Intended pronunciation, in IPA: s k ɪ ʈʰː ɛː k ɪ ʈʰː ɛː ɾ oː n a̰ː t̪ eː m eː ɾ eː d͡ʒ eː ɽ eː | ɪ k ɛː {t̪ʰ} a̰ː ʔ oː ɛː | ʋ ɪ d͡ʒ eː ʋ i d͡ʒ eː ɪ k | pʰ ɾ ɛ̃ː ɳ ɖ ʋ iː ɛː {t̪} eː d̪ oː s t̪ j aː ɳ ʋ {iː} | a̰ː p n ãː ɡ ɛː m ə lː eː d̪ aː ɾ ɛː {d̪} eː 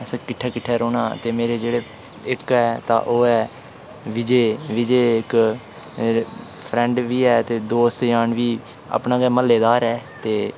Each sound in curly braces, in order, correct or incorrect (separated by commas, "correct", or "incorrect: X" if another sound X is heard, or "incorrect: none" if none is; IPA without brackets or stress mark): incorrect: t̪, correct, correct, incorrect: t̪